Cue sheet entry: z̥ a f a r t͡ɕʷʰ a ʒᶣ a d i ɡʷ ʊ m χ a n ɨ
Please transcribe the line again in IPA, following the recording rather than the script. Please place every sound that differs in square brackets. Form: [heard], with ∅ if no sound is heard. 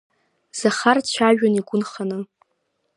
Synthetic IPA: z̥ a [χ] a r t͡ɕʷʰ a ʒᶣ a [n] i ɡʷ ʊ [n] χ a n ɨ